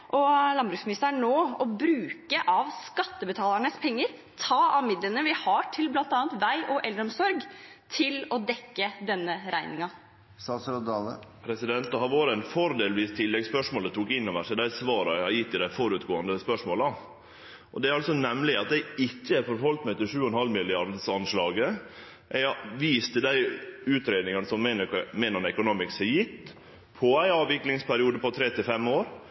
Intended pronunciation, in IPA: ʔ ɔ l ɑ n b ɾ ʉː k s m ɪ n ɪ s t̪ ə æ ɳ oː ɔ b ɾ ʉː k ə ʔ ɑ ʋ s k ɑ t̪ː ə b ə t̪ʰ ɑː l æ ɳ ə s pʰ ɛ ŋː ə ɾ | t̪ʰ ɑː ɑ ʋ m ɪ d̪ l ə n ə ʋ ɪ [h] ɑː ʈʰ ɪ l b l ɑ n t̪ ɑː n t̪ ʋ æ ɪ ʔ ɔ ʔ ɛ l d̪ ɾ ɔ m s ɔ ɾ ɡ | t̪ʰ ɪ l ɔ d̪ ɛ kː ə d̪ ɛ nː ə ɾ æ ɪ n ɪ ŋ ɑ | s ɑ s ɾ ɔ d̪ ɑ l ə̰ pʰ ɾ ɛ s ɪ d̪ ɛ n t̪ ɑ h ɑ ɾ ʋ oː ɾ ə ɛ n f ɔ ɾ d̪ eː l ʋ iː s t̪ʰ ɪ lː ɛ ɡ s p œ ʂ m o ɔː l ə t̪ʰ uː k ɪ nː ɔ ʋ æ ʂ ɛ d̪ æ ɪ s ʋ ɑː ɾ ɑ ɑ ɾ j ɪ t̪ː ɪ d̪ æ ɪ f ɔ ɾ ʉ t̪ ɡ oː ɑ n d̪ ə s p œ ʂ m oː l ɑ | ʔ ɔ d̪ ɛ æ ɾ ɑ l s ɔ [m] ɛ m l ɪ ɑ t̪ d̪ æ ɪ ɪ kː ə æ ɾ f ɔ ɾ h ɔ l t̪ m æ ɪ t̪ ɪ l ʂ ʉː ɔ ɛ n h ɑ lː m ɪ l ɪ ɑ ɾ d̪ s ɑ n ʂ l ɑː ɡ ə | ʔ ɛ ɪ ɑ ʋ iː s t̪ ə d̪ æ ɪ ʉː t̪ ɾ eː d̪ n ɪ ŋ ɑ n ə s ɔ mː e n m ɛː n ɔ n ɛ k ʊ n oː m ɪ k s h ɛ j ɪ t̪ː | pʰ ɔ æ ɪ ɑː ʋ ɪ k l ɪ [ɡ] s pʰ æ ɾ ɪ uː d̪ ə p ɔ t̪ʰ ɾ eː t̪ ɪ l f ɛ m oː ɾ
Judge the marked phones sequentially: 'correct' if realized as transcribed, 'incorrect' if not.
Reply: correct, incorrect: n, incorrect: ŋ

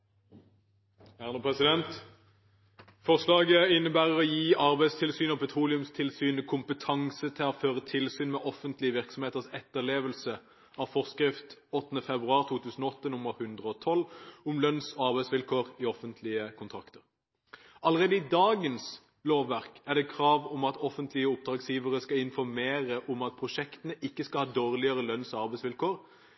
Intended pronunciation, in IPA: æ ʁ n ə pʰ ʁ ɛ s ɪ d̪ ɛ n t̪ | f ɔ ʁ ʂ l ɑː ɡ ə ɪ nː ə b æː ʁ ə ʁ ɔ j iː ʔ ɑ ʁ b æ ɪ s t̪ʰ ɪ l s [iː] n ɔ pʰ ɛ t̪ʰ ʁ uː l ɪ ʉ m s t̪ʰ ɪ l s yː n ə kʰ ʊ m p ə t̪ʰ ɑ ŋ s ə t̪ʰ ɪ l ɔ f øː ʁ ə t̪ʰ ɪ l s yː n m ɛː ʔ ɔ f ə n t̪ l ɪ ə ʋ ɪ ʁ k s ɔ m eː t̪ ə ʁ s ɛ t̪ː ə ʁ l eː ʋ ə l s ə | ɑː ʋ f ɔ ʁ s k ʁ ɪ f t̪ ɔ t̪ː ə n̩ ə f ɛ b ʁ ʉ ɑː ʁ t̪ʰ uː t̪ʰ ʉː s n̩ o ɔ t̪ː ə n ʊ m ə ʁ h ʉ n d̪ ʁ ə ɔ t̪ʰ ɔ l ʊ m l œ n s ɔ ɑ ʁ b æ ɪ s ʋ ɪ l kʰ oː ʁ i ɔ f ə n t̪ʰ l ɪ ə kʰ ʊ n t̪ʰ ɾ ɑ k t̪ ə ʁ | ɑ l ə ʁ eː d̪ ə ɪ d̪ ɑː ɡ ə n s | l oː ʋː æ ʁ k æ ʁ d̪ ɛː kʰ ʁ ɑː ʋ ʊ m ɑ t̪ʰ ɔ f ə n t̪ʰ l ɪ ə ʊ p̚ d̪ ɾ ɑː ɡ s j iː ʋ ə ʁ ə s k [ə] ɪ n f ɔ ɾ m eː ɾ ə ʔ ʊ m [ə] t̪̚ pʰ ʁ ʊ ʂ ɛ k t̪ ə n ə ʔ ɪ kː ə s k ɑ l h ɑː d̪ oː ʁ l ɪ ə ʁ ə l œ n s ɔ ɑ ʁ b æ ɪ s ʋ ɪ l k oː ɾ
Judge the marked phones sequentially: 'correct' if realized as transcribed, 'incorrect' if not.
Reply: incorrect: yː, incorrect: ɑ, incorrect: ɑ

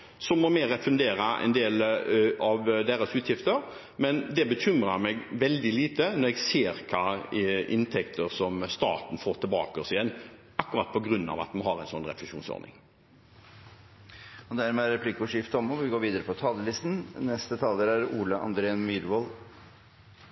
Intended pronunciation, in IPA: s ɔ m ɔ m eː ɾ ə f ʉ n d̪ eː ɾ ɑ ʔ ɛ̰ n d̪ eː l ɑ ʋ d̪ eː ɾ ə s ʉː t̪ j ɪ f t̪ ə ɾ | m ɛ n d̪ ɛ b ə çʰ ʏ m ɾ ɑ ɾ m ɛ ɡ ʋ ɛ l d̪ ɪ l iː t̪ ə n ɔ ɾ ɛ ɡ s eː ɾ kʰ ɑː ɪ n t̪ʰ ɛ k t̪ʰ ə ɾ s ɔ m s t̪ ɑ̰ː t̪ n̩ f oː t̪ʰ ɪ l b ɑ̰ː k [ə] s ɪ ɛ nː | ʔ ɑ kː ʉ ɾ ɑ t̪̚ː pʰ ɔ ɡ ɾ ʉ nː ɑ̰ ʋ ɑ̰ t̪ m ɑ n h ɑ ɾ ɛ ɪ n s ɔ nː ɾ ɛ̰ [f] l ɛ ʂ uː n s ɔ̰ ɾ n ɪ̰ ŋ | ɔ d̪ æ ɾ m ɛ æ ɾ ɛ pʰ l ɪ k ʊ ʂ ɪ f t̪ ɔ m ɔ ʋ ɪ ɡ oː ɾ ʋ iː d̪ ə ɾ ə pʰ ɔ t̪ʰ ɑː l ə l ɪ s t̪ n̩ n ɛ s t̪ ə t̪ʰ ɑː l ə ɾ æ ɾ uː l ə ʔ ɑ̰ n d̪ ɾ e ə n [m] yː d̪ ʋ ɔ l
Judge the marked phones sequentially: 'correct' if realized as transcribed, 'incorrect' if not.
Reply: correct, correct, correct

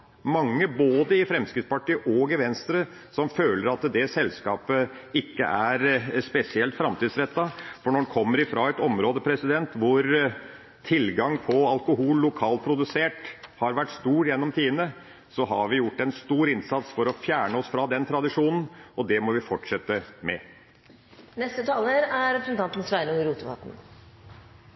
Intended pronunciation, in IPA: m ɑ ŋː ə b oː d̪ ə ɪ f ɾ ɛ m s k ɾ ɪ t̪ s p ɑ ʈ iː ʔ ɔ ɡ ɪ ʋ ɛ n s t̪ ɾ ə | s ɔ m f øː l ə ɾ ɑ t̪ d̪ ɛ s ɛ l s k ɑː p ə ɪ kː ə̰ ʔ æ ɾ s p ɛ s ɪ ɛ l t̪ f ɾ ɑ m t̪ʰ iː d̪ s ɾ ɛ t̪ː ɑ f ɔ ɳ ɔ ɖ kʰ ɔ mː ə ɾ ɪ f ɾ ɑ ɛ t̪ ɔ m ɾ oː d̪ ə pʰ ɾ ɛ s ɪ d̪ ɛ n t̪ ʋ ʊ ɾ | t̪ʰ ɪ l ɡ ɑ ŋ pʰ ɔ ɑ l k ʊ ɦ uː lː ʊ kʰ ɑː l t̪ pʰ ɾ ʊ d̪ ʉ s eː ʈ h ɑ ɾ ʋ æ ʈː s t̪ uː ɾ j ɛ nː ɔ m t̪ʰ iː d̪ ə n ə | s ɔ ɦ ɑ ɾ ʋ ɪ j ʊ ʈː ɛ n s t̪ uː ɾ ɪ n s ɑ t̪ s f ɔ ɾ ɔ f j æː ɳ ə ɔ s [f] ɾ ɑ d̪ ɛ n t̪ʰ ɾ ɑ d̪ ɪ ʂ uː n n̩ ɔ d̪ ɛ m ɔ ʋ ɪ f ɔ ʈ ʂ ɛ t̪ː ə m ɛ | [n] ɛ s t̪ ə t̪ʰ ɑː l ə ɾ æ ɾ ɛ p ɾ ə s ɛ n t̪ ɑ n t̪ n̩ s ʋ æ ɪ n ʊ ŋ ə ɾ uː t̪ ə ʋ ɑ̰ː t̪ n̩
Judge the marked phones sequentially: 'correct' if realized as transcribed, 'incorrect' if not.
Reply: correct, correct

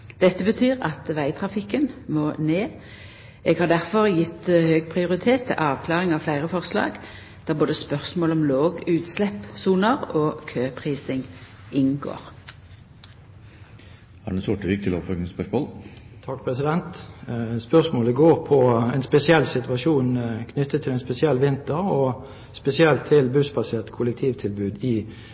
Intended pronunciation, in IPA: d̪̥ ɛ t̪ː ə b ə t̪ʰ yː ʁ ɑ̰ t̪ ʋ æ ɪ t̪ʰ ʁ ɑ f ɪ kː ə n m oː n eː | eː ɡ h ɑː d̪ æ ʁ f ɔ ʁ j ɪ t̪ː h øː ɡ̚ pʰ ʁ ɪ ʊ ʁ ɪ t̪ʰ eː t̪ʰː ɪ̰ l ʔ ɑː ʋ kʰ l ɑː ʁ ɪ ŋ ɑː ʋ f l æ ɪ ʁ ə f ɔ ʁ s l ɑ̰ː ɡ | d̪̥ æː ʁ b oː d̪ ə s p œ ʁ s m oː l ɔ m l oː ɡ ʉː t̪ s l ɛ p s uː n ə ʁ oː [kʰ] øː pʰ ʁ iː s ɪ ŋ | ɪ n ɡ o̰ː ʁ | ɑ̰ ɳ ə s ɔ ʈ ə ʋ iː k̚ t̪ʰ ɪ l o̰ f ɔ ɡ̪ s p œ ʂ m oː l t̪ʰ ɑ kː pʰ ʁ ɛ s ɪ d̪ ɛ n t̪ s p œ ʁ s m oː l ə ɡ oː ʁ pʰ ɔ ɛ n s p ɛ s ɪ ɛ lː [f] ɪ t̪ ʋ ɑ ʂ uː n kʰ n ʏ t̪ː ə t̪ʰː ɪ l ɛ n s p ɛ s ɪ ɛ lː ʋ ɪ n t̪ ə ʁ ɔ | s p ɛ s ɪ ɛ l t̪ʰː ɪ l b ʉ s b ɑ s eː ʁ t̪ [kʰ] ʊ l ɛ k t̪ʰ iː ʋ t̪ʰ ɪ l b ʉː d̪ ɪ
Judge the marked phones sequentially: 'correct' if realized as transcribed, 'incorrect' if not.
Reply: correct, incorrect: s, correct

